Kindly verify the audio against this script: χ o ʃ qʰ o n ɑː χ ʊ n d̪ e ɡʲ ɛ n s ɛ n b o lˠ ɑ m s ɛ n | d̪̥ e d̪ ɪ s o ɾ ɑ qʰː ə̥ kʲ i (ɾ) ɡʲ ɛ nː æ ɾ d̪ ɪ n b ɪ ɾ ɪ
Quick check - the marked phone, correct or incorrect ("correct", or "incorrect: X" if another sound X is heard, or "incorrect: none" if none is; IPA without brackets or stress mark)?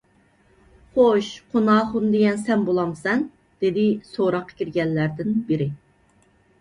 correct